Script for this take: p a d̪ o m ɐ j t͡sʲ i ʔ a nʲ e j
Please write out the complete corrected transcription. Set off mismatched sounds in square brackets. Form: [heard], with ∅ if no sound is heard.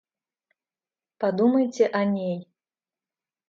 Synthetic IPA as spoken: p a d̪ [u] m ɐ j t͡sʲ [ɛ] ʔ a nʲ e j